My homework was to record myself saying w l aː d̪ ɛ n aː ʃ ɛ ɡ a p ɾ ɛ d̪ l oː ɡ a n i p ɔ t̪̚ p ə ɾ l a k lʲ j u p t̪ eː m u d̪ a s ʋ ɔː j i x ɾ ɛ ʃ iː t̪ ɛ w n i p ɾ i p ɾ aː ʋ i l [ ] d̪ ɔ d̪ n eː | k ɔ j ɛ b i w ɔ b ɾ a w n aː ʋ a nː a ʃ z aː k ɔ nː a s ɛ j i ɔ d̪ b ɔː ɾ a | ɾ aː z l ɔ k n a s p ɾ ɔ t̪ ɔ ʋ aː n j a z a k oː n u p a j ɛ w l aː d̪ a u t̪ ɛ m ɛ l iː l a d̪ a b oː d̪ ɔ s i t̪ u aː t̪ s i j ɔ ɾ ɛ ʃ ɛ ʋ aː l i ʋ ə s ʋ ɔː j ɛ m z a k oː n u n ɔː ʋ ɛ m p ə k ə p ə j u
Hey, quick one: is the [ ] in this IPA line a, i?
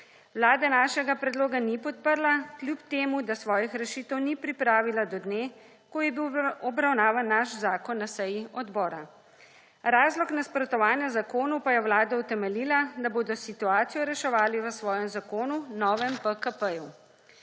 a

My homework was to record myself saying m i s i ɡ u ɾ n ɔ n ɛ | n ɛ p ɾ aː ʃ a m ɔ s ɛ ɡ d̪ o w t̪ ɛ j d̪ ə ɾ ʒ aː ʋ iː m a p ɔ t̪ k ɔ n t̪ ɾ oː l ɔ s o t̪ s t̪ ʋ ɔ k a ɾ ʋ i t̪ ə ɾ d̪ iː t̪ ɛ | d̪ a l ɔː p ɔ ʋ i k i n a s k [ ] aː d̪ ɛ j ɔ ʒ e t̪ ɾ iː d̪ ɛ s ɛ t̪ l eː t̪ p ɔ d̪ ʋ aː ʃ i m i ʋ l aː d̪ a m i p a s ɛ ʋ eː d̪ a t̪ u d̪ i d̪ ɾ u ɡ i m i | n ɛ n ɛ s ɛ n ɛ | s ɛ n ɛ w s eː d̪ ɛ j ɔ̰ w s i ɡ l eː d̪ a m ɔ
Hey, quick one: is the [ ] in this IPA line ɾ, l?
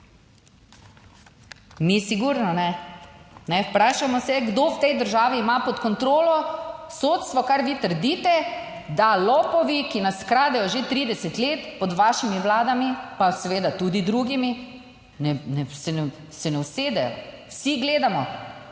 ɾ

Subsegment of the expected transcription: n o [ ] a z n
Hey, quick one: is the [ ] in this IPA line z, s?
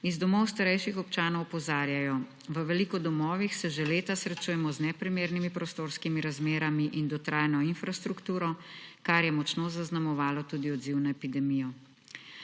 z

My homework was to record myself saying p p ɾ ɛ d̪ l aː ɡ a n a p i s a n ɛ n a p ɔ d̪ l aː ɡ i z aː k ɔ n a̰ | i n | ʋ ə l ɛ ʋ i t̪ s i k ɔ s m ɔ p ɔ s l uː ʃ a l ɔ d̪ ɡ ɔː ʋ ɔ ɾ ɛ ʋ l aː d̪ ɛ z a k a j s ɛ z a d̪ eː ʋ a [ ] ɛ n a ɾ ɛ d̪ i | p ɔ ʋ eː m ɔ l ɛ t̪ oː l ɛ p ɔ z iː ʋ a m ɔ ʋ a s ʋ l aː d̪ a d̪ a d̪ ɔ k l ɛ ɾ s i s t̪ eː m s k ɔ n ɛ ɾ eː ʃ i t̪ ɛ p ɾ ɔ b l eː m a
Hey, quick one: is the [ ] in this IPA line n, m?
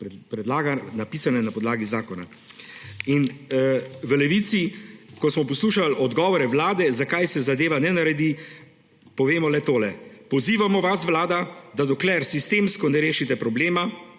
n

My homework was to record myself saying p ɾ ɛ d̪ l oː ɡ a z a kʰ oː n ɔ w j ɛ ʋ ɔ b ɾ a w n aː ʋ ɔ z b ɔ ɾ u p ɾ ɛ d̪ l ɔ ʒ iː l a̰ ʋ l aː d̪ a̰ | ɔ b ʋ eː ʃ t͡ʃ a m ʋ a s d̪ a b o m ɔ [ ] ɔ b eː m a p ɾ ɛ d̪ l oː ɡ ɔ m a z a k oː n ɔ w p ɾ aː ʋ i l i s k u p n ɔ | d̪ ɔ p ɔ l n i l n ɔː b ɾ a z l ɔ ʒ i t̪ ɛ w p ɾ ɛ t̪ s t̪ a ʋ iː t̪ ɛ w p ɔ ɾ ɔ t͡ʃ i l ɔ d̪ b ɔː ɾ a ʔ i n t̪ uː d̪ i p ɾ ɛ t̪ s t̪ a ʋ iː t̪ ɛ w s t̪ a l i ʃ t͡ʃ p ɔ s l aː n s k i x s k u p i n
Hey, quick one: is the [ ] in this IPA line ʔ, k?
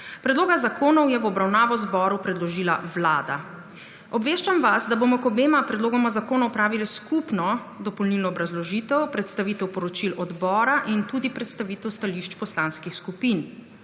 k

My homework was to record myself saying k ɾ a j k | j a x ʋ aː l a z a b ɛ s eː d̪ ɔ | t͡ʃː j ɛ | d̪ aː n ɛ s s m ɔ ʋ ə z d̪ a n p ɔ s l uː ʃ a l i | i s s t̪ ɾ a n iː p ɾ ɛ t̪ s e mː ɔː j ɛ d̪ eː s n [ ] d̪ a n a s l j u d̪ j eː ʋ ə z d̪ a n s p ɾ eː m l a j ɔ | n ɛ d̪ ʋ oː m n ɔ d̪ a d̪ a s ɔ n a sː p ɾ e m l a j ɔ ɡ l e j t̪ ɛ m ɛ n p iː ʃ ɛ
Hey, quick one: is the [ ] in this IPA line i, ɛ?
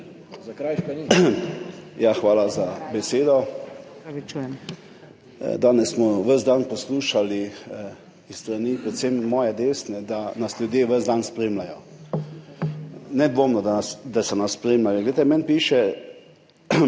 ɛ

